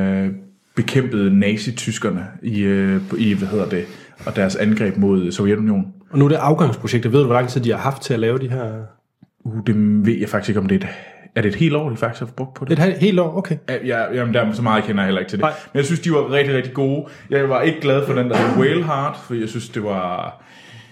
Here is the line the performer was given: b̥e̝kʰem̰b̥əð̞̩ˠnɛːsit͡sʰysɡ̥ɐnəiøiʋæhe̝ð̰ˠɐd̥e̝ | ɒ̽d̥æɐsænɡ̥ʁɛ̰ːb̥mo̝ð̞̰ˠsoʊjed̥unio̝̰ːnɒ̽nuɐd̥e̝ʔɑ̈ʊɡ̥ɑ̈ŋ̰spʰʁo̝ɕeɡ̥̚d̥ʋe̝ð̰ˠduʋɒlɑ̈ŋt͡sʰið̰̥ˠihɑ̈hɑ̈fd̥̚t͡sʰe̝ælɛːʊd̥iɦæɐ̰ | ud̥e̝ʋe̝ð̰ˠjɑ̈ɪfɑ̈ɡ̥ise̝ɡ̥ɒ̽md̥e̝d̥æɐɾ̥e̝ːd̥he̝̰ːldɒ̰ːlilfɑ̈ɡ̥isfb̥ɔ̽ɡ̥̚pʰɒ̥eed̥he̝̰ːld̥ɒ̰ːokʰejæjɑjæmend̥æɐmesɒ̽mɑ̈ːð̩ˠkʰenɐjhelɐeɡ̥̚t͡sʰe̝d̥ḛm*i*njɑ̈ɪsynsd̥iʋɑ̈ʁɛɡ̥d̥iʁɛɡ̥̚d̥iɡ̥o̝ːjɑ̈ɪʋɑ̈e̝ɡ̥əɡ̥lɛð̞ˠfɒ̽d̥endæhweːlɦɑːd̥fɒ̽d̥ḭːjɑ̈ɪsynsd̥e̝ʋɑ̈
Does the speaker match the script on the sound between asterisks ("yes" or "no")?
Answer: no